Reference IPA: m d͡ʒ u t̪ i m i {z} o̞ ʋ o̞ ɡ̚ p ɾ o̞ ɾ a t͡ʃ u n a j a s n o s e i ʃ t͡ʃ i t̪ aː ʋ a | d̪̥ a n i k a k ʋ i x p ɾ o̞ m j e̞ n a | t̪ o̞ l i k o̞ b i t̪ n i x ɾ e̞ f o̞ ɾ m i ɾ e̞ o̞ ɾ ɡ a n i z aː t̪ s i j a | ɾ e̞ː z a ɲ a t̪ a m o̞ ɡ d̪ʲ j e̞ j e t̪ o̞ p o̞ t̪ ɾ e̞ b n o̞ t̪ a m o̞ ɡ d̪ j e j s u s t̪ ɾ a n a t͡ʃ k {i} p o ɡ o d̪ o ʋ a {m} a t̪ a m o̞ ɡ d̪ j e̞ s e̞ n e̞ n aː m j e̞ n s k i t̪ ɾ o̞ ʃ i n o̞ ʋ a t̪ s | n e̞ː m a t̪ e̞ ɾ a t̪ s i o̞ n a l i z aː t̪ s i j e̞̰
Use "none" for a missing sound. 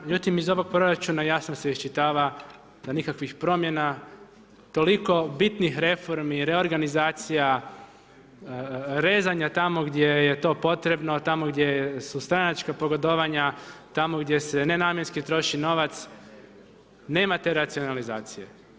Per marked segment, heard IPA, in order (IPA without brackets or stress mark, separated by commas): z, a, ɲ